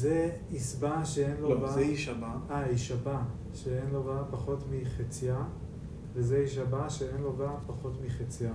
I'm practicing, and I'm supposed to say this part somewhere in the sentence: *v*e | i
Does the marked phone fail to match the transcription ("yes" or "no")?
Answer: yes